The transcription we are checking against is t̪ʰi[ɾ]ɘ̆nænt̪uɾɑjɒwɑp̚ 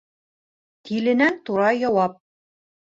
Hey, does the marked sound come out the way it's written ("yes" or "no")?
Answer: no